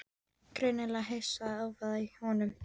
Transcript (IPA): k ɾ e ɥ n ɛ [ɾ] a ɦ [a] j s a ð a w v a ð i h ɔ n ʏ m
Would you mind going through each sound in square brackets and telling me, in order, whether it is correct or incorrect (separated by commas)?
incorrect, incorrect